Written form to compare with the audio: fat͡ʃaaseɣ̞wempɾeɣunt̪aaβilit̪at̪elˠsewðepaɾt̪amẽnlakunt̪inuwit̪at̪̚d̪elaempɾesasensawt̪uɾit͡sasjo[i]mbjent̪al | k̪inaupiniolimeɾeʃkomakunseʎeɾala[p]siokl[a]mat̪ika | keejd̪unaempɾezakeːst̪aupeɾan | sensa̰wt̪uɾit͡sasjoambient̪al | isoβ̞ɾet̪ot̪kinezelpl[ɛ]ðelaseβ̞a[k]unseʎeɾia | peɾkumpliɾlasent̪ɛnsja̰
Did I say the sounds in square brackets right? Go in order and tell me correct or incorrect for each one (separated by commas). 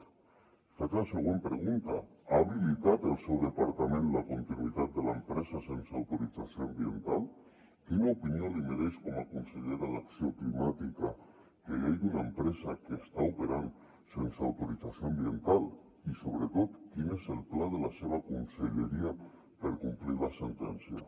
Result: incorrect, incorrect, incorrect, incorrect, correct